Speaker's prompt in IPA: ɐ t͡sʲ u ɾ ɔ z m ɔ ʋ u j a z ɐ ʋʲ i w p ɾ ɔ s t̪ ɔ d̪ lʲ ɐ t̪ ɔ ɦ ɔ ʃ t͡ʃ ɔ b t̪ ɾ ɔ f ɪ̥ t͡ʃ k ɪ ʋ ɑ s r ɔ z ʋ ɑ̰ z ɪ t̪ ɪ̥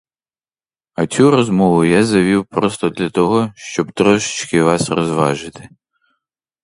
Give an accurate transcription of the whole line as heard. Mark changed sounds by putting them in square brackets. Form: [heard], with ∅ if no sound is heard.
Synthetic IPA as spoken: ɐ t͡sʲ u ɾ ɔ z m ɔ ʋ [ʊ] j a z ɐ ʋʲ i w p ɾ ɔ s t̪ ɔ d̪ lʲ ɐ t̪ ɔ ɦ ɔ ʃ t͡ʃ ɔ b t̪ ɾ ɔ [ʃ] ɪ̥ t͡ʃ k ɪ ʋ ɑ s r ɔ z ʋ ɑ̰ [ʒ] ɪ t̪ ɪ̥